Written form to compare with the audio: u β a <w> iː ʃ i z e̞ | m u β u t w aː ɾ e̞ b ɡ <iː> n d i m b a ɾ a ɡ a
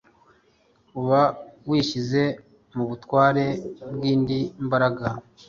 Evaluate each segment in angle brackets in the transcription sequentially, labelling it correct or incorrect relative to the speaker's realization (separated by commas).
correct, correct